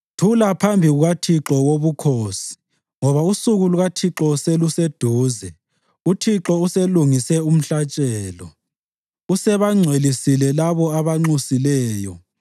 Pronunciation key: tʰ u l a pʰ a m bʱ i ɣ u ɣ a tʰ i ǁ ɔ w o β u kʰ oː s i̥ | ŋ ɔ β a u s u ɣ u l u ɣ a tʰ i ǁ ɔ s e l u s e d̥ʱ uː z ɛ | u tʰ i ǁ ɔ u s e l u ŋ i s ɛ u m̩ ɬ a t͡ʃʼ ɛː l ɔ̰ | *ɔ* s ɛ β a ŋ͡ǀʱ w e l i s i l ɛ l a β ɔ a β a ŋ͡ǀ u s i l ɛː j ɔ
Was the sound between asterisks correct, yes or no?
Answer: no